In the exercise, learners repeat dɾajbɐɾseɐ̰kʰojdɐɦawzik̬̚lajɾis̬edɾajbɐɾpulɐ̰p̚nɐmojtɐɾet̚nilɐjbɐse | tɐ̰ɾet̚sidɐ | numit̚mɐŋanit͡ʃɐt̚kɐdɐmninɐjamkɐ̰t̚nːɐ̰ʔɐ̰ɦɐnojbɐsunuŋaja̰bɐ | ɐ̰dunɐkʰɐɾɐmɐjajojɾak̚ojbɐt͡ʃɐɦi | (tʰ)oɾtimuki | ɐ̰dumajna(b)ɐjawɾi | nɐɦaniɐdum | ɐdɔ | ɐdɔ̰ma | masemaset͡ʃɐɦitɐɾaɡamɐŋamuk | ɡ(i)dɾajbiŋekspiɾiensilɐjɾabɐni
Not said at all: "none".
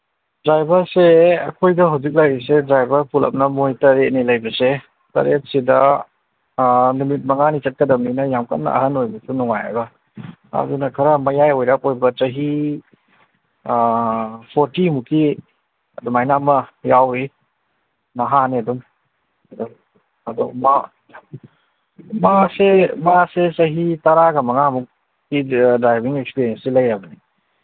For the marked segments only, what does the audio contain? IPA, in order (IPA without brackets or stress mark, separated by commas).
pʰ, m, i